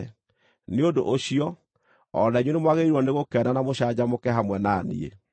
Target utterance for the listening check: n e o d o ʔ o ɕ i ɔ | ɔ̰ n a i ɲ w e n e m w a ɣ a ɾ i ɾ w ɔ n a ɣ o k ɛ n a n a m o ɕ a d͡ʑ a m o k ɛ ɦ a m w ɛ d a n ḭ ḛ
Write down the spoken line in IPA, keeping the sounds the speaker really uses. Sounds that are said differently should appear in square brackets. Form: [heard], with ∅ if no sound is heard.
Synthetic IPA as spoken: n e o d o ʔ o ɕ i ɔ | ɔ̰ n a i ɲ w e n e m w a ɣ [e] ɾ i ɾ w ɔ n [e] ɣ o k ɛ n a n a m o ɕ a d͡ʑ a m o k ɛ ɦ a m w ɛ [n] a n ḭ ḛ